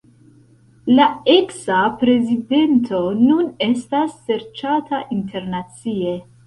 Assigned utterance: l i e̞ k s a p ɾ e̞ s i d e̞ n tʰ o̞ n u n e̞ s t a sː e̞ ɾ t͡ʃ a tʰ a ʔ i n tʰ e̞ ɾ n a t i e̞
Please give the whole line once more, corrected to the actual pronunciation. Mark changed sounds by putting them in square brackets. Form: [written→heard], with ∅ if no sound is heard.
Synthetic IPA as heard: l [i→a] e̞ k s a p ɾ e̞ [s→z] i d e̞ n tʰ o̞ n u n e̞ s t a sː e̞ ɾ t͡ʃ a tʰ a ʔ i n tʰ e̞ ɾ n a [t→t͡s] i e̞